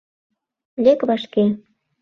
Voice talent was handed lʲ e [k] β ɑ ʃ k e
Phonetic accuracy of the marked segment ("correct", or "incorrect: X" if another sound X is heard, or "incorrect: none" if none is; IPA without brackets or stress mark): correct